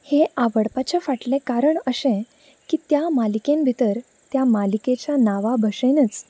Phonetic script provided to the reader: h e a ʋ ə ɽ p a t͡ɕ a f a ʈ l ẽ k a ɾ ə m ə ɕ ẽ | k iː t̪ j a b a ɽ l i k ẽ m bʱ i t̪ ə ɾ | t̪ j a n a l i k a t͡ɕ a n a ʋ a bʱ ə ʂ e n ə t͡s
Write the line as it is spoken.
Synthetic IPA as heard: h e a ʋ ə ɽ p a t͡ɕ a f a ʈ l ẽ k a ɾ ə ɳ ə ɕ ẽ | k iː t̪ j a m a l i k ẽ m bʱ i t̪ ə ɾ | t̪ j a m a l i k e t͡ɕ a n a ʋ a bʱ ə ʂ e n ə t͡s